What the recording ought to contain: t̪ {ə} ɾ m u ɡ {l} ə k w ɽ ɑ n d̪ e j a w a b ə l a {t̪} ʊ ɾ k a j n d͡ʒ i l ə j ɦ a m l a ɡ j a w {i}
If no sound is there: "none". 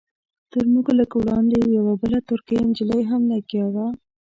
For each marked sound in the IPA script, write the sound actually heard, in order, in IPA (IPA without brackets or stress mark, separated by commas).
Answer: ə, l, t̪, a